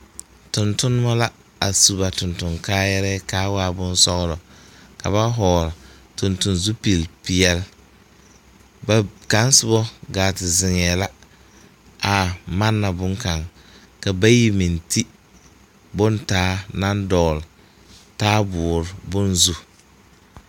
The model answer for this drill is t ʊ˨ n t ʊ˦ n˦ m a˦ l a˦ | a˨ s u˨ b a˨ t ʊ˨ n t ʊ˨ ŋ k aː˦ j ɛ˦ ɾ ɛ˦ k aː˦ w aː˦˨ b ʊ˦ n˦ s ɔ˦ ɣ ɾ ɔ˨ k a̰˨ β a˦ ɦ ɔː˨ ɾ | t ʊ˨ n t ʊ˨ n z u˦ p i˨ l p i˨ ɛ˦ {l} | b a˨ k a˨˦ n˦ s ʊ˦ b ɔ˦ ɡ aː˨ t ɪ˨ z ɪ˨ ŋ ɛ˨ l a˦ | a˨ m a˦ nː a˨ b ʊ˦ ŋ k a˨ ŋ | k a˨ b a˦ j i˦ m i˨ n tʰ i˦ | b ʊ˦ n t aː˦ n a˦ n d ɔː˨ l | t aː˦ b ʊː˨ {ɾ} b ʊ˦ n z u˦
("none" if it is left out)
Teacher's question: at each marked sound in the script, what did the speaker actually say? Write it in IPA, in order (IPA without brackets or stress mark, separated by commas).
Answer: l, ɾ